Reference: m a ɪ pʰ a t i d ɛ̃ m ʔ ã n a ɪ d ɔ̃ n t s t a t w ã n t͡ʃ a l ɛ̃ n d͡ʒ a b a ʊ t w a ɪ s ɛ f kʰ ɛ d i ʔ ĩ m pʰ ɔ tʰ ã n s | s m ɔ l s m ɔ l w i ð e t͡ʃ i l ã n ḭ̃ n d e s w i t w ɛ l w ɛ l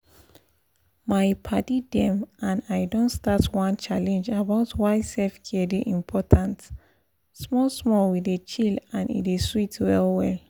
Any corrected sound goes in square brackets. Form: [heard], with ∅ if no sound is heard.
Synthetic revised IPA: m a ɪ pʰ a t i d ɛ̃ m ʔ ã n a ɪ d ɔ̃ n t s t a t w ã n t͡ʃ a l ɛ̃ n d͡ʒ a b a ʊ t w a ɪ s ɛ f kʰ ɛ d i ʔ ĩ m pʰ ɔ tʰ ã n [t] | s m ɔ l s m ɔ l w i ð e t͡ʃ i l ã n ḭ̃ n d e s w i t w ɛ l w ɛ l